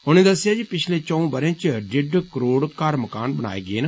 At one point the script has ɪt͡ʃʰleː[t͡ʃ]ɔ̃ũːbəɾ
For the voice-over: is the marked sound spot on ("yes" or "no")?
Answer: yes